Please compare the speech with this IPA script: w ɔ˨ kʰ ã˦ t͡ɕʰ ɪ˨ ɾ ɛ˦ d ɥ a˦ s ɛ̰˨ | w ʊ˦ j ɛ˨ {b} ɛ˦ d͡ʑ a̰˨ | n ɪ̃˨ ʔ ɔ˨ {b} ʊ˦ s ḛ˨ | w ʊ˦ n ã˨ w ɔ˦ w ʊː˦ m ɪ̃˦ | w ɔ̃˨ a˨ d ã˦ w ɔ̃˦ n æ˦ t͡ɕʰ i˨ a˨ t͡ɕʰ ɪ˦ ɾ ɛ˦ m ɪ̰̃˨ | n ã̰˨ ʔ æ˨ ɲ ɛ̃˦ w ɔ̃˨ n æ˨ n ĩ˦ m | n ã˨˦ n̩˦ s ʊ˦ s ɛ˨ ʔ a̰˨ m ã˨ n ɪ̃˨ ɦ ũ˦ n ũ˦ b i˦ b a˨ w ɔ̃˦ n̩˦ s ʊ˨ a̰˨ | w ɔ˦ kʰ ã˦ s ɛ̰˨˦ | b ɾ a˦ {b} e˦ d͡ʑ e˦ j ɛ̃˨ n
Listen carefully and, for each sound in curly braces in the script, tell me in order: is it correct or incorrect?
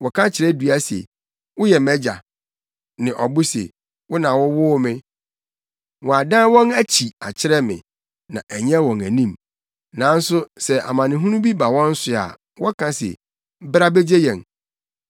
incorrect: m, correct, correct

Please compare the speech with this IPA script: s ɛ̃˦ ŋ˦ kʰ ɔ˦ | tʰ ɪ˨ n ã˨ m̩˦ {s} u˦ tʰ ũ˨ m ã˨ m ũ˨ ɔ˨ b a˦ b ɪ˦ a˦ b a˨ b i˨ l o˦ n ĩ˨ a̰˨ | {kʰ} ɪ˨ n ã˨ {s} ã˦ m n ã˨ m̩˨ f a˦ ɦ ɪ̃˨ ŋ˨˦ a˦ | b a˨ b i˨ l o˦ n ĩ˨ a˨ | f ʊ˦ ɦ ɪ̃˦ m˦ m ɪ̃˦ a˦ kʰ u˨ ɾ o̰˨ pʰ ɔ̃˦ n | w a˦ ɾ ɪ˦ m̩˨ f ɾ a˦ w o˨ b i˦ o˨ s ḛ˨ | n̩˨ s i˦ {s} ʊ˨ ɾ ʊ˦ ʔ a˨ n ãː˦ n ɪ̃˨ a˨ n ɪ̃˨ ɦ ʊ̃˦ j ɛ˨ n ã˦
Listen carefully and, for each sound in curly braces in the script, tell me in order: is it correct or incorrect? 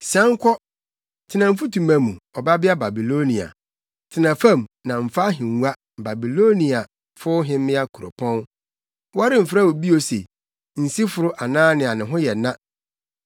incorrect: f, incorrect: tʰ, incorrect: f, incorrect: f

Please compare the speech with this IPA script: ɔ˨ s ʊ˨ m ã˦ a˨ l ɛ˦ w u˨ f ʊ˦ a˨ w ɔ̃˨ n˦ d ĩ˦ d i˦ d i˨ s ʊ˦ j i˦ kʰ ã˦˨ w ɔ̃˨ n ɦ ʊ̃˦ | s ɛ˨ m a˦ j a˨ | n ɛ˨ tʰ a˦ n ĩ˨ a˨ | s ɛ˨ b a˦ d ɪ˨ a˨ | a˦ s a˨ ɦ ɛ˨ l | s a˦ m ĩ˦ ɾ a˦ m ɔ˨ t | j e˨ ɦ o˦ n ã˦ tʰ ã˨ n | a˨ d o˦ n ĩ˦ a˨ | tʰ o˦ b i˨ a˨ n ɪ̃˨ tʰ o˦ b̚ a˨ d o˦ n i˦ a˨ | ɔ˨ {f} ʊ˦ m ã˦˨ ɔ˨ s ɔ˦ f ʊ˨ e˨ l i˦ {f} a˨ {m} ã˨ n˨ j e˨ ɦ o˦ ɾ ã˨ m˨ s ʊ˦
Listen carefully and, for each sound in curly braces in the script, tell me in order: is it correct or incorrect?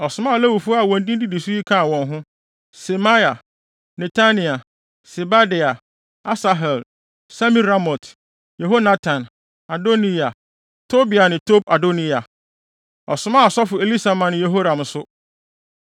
incorrect: s, incorrect: s, correct

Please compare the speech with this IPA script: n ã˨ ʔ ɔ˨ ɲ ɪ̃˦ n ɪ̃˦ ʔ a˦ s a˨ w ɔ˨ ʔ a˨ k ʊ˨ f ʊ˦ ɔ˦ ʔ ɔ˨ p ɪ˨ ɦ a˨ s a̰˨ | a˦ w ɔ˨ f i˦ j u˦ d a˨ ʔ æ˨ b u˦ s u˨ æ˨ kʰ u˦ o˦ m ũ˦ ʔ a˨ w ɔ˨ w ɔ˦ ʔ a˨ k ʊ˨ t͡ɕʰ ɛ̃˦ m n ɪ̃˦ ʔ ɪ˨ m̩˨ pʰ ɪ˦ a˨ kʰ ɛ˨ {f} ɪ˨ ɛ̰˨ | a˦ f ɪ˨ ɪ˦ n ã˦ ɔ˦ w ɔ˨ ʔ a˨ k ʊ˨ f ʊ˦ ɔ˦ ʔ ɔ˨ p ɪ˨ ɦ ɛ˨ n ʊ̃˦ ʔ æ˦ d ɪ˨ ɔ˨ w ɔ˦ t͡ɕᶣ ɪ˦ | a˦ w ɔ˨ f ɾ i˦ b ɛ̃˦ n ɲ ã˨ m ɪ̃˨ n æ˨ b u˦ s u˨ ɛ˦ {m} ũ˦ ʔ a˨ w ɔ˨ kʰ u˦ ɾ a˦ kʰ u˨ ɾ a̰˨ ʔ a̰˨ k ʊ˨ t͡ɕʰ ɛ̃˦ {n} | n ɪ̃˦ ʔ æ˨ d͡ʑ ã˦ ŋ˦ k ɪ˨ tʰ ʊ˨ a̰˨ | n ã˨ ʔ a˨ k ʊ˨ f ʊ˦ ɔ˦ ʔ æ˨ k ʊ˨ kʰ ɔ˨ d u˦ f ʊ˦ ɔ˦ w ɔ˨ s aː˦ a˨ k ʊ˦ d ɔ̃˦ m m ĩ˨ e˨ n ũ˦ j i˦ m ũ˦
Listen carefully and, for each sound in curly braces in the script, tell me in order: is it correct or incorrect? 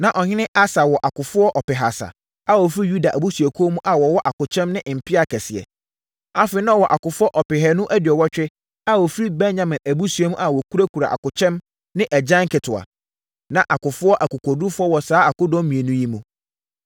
incorrect: s, correct, incorrect: m

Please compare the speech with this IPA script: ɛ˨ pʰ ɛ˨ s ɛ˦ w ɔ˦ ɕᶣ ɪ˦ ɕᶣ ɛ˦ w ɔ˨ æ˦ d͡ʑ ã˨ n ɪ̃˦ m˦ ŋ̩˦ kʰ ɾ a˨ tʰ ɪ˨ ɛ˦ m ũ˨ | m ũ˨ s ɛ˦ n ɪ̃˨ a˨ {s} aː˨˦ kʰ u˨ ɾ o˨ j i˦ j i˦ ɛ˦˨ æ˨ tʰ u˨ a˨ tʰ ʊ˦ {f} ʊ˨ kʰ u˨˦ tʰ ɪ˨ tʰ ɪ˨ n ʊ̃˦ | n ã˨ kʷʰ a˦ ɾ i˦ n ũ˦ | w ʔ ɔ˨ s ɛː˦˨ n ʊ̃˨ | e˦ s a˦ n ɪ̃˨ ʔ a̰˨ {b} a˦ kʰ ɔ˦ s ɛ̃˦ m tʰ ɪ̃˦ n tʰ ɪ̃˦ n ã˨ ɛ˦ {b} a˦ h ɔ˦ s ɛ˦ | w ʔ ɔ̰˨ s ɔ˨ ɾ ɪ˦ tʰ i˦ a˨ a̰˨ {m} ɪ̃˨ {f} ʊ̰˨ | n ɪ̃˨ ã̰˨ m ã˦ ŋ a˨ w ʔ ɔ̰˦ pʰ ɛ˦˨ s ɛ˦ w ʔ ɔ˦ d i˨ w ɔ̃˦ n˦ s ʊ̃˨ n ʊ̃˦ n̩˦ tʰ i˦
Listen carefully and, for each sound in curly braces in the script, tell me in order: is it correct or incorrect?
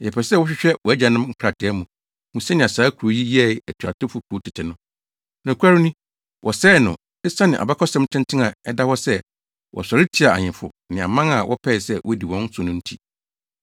correct, correct, correct, incorrect: d, incorrect: ɲ, correct

